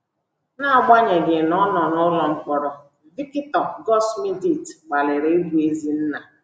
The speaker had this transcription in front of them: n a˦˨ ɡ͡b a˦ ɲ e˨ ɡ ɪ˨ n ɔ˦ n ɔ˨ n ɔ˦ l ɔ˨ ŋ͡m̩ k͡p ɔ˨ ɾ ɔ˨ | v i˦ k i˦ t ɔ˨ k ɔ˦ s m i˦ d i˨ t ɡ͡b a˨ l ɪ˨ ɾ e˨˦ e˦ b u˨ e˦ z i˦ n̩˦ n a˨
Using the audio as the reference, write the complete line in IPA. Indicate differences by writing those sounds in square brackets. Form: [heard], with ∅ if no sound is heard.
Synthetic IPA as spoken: n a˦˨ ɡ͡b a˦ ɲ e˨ ɡ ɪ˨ n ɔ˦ n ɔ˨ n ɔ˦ l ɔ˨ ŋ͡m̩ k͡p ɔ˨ ɾ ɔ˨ | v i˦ k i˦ t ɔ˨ [ɡ] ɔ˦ s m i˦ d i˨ t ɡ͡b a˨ l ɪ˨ ɾ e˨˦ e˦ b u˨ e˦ z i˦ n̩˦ n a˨

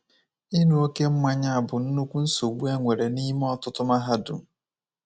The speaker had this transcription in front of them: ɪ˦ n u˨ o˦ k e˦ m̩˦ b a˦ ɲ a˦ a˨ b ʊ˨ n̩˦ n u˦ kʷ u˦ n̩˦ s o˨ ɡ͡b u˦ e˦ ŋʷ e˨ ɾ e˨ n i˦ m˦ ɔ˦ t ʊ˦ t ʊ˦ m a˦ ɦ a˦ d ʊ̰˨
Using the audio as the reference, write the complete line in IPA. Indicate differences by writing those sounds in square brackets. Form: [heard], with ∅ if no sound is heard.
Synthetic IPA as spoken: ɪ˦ n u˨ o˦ k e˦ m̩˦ [m] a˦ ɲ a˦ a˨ b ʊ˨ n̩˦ n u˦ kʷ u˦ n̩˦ s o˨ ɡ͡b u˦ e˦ ŋʷ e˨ ɾ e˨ n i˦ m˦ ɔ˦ t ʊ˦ t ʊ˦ m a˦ ɦ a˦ d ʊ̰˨

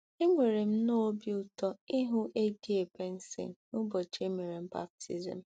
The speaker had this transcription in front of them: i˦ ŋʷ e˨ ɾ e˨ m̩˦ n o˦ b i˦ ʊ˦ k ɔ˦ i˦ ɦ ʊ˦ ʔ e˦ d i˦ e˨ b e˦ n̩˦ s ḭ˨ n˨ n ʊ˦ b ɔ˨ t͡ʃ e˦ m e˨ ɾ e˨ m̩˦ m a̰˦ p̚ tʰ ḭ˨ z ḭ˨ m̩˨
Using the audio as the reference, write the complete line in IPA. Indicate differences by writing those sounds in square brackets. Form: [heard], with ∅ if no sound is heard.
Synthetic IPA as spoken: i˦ ŋʷ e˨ ɾ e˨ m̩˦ n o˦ b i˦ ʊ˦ [t] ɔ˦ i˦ ɦ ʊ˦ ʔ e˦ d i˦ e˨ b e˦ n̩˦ s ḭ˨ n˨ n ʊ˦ b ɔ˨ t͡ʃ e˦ m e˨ ɾ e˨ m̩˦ [b] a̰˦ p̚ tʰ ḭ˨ z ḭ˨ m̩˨

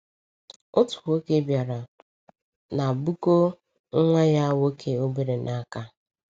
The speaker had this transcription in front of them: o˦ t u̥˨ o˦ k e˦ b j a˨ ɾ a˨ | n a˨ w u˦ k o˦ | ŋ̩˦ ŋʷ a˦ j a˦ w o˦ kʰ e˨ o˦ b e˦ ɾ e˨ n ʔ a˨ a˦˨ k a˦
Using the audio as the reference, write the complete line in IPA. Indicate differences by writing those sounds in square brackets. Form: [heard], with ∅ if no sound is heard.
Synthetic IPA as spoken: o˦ t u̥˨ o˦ k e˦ b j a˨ ɾ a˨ | n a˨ [b] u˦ k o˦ | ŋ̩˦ ŋʷ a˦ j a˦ w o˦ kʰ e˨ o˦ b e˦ ɾ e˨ n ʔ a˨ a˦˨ k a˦

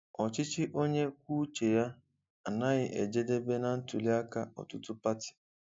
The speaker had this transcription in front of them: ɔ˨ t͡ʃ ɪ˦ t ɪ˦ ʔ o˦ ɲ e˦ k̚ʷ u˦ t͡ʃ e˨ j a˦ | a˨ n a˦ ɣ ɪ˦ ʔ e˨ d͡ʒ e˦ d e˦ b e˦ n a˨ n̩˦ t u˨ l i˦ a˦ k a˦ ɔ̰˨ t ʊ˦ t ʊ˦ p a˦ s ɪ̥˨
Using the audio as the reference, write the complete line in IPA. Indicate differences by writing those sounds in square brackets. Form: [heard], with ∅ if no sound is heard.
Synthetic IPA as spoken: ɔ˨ t͡ʃ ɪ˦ [t͡ʃ] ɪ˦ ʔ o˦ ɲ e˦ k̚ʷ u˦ t͡ʃ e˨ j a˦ | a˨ n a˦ ɣ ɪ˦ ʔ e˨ d͡ʒ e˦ d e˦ b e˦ n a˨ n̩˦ t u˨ l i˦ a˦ k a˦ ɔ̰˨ t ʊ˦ t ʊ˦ p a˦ [t] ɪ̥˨

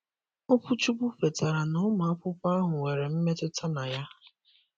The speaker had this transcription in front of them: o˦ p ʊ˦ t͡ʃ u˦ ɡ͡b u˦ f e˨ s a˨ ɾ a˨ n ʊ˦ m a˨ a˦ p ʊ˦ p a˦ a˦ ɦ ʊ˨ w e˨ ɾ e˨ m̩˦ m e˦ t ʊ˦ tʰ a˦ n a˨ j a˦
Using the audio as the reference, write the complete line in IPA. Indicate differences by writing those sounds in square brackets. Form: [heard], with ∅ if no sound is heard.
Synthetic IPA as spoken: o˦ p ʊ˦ t͡ʃ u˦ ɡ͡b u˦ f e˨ [t] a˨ ɾ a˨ n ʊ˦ m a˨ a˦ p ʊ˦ p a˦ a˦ ɦ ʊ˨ w e˨ ɾ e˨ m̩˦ m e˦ t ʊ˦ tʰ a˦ n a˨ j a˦

